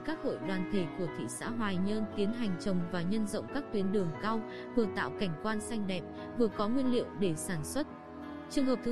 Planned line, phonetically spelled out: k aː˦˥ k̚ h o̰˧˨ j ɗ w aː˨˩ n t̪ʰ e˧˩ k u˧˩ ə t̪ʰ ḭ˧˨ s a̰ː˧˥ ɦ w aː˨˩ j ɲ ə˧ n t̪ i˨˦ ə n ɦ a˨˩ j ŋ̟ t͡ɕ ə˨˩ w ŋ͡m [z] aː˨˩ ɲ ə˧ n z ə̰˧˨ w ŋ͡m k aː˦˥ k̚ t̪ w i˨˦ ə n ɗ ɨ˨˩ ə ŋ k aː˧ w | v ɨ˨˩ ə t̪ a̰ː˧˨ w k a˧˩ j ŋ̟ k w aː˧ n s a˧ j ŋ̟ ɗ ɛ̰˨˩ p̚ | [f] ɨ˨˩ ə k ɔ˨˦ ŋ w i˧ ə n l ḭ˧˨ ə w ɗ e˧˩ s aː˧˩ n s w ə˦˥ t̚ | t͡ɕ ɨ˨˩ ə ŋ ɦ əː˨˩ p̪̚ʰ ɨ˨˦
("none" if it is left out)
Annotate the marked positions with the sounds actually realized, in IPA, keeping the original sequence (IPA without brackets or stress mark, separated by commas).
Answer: v, v